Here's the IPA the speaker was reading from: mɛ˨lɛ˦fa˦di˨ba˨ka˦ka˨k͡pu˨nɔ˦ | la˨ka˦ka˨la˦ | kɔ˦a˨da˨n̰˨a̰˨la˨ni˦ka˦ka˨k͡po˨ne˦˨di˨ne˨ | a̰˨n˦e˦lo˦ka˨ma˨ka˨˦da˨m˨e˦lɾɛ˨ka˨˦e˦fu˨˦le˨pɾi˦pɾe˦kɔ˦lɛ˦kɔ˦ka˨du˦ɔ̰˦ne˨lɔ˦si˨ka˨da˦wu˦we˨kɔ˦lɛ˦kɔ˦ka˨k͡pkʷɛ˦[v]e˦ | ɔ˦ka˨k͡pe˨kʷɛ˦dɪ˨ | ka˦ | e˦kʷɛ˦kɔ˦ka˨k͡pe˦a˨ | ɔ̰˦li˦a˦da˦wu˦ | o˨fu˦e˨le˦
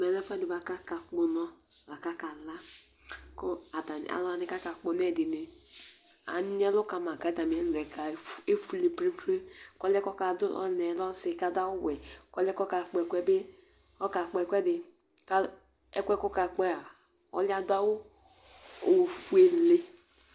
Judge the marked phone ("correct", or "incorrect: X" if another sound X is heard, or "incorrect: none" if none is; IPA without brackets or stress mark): incorrect: b